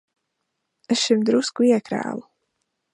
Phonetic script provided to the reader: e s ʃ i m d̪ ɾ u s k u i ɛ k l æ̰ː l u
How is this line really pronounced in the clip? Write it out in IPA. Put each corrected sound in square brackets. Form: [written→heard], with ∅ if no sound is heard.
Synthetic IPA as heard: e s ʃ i m d̪ ɾ u s k u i ɛ k [l→ɾ] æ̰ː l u